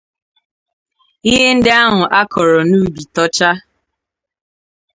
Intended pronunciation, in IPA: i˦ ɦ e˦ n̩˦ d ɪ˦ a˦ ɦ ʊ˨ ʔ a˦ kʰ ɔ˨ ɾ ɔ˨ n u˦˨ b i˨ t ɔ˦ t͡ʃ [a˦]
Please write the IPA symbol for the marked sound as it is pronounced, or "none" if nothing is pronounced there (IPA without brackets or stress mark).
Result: a˦